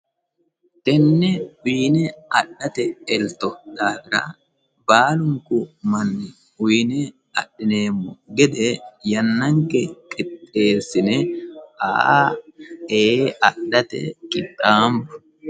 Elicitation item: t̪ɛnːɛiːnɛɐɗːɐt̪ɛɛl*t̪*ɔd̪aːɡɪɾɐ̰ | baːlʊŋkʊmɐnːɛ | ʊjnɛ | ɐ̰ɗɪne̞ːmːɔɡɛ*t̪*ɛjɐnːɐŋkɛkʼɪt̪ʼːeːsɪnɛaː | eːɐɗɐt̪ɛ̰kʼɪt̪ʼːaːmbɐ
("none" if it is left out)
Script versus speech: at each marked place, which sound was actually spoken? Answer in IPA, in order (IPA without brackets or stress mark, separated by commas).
t̪, d̪